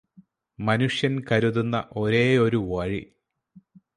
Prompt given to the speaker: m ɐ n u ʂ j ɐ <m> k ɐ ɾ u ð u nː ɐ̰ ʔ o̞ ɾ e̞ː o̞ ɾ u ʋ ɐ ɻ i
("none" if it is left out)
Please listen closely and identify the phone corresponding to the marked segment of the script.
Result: n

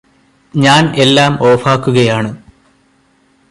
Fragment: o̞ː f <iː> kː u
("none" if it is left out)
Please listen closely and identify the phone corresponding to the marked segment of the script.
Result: aː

